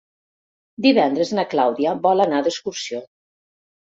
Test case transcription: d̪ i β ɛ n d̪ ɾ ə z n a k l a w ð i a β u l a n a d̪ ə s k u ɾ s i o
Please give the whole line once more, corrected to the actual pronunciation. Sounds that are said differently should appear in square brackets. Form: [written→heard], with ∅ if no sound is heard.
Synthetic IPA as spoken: d̪ i β ɛ n d̪ ɾ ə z n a k l a w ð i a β [u→ɔ] l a n a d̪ ə s k u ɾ s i o

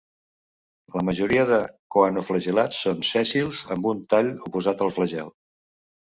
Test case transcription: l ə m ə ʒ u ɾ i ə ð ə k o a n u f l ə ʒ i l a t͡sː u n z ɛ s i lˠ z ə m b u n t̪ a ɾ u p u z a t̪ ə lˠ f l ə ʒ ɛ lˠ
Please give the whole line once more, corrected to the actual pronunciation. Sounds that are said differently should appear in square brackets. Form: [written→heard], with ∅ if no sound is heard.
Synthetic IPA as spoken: l ə m ə ʒ u ɾ i ə ð ə k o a n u f l ə ʒ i l a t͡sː [u→o] n [z→s] ɛ s i lˠ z ə m b u n t̪ a [ɾ→ʎ] u p u z a t̪ ə lˠ f l ə ʒ ɛ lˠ

